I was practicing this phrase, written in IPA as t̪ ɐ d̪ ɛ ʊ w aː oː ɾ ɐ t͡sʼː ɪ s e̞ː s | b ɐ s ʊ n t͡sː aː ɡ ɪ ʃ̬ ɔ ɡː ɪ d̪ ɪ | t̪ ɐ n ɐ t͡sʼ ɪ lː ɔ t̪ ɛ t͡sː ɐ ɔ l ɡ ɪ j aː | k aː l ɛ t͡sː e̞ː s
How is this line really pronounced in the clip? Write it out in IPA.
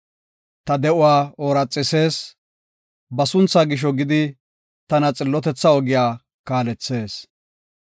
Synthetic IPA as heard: t̪ ɐ d̪ ɛ ʊ w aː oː ɾ ɐ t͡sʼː ɪ s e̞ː s | b ɐ s ʊ n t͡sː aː ɡ ɪ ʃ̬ ɔ ɡ ɪ d̪ ɪ | t̪ ɐ n ɐ t͡sʼ ɪ lː ɔ t̪ ɛ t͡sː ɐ ɔ ɡ ɪ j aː | k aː l ɛ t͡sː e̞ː s

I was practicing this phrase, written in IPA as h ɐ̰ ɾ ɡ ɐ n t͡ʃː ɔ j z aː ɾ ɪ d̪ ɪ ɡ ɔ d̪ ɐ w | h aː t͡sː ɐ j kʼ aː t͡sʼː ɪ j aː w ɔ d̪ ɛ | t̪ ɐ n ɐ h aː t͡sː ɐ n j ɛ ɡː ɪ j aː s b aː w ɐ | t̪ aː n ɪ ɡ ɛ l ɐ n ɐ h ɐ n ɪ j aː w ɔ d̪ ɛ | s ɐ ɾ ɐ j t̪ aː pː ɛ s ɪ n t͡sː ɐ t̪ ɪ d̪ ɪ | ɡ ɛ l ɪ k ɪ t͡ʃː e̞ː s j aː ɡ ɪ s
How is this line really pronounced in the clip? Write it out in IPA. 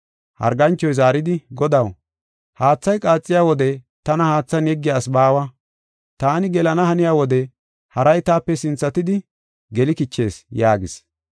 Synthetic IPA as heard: h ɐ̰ ɾ ɡ ɐ n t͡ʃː ɔ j z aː ɾ ɪ d̪ ɪ ɡ ɔ d̪ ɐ w | h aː t͡sː ɐ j kʼ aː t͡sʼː ɪ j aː w ɔ d̪ ɛ | t̪ ɐ n ɐ h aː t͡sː ɐ n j ɛ ɡː ɪ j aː s b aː w ɐ | t̪ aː n ɪ ɡ ɛ l ɐ n ɐ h ɐ n ɪ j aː w ɔ d̪ ɛ | h ɐ ɾ ɐ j t̪ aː pː ɛ s ɪ n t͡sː ɐ t̪ ɪ d̪ ɪ | ɡ ɛ l ɪ k ɪ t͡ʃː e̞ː s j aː ɡ ɪ s

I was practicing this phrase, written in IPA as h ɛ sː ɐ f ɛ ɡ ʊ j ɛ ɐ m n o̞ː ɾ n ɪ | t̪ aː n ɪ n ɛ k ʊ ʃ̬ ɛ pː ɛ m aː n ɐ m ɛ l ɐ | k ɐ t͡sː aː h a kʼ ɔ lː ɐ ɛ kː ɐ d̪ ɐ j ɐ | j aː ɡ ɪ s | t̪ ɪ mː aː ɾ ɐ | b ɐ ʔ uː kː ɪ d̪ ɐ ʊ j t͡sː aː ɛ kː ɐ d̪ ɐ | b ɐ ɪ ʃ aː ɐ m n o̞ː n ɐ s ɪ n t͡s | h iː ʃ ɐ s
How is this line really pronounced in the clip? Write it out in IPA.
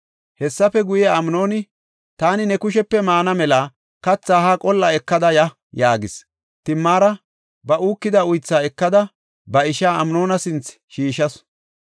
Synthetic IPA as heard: h ɛ sː ɐ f ɛ ɡ ʊ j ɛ ɐ m n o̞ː n ɪ | t̪ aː n ɪ n ɛ k ʊ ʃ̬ ɛ pː ɛ m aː n ɐ m ɛ l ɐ | k ɐ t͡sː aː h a kʼ ɔ lː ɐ ɛ kː ɐ d̪ ɐ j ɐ | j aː ɡ ɪ s | t̪ ɪ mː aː ɾ ɐ | b ɐ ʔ uː kː ɪ d̪ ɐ ʊ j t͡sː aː ɛ kː ɐ d̪ ɐ | b ɐ ɪ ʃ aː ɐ m n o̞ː n ɐ s ɪ n t͡s | ʃ iː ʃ ɐ s

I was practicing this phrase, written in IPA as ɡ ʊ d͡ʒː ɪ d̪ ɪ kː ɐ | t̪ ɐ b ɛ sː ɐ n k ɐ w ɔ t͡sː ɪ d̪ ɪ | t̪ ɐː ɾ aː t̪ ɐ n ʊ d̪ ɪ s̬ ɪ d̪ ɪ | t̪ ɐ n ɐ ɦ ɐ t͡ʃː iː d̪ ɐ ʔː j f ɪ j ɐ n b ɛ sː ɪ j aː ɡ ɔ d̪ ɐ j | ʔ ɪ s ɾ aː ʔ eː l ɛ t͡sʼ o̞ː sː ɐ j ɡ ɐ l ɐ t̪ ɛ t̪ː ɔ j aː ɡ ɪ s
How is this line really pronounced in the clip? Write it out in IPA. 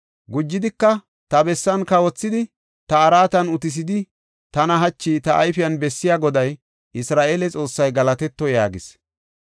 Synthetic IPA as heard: ɡ ʊ d͡ʒː ɪ d̪ ɪ kː ɐ | t̪ ɐ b ɛ sː ɐ n k ɐ w ɔ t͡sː ɪ d̪ ɪ | t̪ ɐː ɾ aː t̪ ɐ n ʊ t̪ ɪ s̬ ɪ d̪ ɪ | t̪ ɐ n ɐ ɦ ɐ t͡ʃː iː t̪ ɐ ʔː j f ɪ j ɐ n b ɛ sː ɪ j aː ɡ ɔ d̪ ɐ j | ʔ ɪ s ɾ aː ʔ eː l ɛ t͡sʼ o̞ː sː ɐ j ɡ ɐ l ɐ t̪ ɛ t̪ː ɔ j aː ɡ ɪ s

